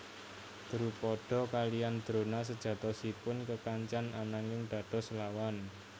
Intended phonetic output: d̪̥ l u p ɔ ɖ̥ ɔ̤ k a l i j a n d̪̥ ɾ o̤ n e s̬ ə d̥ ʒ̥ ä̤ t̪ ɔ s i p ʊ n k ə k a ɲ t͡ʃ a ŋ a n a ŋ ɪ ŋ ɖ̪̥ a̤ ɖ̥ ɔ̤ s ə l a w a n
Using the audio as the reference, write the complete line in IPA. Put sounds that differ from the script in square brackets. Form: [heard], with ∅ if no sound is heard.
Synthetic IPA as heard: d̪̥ [ɾ] u p ɔ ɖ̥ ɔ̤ k a l i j a n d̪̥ ɾ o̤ n [a] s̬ ə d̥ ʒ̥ ä̤ t̪ ɔ s i p ʊ n k ə k a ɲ t͡ʃ a [n] a n a ŋ ɪ ŋ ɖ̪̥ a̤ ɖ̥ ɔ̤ s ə l a w a n